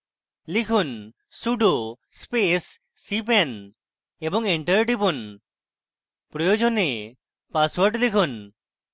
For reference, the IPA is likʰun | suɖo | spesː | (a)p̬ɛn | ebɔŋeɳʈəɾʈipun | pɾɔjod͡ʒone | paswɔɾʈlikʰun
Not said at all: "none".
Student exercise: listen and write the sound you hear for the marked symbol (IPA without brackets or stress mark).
i